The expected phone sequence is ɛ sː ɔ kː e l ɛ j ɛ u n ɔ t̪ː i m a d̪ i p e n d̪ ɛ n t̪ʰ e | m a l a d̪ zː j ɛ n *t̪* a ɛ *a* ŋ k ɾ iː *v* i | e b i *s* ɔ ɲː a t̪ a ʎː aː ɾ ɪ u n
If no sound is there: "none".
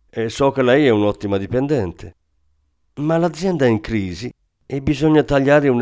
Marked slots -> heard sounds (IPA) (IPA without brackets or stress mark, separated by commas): d̪, i, z, z